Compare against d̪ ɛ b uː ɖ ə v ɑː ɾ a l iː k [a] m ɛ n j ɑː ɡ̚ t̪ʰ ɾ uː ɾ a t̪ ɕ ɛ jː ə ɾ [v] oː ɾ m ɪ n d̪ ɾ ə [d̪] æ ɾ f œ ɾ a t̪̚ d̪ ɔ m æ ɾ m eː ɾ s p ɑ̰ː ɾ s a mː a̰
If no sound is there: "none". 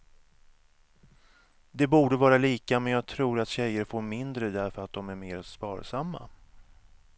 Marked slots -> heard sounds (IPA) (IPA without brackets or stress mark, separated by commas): a, f, d̪